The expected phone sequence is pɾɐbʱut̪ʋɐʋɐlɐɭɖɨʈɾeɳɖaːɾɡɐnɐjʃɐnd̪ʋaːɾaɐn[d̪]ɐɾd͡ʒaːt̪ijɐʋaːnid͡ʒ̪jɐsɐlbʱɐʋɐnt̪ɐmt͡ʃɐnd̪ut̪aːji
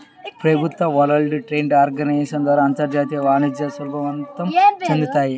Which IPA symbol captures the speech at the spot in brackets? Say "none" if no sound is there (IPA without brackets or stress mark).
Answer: t̪